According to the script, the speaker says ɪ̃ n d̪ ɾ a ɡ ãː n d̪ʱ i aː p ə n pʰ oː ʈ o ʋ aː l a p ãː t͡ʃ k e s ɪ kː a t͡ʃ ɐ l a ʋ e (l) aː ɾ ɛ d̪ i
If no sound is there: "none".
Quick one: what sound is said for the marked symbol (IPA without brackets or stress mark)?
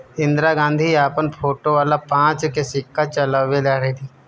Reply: l